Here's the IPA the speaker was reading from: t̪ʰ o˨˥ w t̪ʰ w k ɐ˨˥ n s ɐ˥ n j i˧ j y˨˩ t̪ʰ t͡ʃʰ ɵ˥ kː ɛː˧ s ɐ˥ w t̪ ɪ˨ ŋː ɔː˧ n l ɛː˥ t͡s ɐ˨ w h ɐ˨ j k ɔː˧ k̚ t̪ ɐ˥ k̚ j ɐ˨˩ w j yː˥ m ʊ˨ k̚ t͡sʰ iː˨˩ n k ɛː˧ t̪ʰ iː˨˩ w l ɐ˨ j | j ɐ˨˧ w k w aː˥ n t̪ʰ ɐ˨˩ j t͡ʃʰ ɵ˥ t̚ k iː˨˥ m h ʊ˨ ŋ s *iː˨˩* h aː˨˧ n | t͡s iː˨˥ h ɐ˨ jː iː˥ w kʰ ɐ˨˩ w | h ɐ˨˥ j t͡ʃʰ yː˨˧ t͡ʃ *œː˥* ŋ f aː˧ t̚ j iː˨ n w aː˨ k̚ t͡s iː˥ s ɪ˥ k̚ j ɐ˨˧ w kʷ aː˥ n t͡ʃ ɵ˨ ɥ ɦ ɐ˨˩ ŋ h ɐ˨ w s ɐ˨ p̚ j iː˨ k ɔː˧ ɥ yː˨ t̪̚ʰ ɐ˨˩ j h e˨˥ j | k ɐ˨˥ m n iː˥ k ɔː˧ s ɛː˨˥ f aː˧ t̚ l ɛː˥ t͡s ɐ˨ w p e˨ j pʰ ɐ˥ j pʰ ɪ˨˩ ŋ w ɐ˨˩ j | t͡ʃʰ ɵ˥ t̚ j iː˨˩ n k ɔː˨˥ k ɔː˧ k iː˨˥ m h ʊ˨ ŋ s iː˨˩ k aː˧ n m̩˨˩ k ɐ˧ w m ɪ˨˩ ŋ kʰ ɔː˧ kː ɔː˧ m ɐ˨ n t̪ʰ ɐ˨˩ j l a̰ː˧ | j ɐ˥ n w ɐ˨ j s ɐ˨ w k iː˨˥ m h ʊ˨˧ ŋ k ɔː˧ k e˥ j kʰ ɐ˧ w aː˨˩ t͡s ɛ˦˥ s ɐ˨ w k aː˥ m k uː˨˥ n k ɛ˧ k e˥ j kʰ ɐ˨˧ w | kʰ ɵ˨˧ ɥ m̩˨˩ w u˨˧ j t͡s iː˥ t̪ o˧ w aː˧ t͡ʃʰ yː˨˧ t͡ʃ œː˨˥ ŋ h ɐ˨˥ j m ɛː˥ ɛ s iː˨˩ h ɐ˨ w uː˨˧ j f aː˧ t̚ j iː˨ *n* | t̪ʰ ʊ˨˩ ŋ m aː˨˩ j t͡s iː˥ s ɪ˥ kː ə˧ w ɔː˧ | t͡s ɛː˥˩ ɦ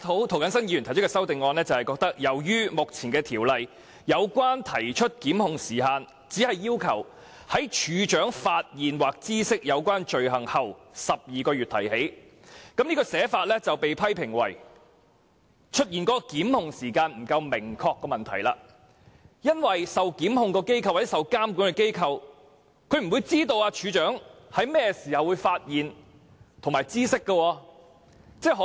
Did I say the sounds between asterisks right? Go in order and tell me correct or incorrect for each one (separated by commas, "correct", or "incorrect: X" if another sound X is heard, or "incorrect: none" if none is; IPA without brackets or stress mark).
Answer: correct, incorrect: œː˨˥, correct